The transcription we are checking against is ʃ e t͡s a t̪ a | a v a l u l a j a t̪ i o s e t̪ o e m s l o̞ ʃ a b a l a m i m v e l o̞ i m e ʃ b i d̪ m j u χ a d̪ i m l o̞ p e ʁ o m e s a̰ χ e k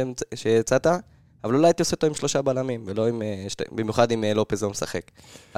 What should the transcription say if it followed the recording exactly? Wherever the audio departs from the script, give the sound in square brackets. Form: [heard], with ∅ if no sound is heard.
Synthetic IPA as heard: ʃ e t͡s a t̪ a | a v a l u l a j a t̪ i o s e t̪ o [i] m [ʃ] l o̞ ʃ a b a l a m i m v e l o̞ i m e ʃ b i [∅] m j u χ a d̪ i m l o̞ p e [z] o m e s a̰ χ e k